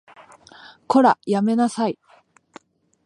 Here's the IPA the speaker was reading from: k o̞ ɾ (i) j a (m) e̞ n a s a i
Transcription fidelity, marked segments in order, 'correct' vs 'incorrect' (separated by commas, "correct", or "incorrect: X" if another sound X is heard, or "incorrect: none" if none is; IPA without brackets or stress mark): incorrect: a, correct